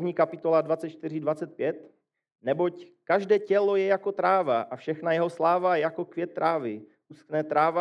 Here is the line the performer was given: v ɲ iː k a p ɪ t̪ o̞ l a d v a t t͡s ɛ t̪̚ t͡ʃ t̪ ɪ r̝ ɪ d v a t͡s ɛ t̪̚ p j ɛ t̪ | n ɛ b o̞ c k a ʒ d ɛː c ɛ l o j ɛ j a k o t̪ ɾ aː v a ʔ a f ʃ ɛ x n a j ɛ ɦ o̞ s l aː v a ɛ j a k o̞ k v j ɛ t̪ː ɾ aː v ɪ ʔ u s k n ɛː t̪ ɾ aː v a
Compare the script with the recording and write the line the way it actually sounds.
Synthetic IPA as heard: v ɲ iː k a p ɪ t̪ o̞ l a d v a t t͡s ɛ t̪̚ t͡ʃ t̪ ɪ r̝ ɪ d v a t͡s ɛ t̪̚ p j ɛ t̪ | n ɛ b o̞ c k a ʒ d ɛː c ɛ l o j ɛ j a k o t̪ ɾ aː v a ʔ a f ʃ ɛ x n a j ɛ ɦ o̞ s l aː v a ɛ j a k o̞ k v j ɛ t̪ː ɾ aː v ɪ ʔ u s k n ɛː t̪ ɾ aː v a